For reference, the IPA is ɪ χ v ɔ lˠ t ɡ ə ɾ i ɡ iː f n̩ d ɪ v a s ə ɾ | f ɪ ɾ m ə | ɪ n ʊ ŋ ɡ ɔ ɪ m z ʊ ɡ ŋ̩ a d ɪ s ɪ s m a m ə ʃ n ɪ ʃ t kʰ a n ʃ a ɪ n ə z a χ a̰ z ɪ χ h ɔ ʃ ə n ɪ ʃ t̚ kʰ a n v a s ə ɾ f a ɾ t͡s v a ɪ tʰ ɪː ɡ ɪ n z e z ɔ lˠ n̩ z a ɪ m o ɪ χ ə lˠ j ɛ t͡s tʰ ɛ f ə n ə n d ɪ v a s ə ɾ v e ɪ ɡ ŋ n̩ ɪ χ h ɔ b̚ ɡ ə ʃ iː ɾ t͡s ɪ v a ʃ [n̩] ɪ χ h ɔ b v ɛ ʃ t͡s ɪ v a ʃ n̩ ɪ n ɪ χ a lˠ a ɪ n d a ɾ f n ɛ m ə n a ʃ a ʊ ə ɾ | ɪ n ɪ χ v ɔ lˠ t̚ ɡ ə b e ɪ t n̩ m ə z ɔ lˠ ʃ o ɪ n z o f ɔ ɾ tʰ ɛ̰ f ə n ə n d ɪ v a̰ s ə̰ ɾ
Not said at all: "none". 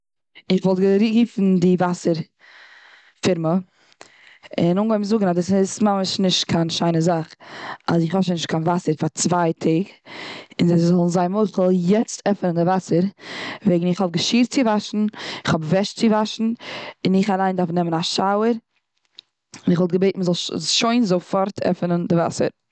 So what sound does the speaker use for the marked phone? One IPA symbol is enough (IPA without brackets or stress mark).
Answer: n̩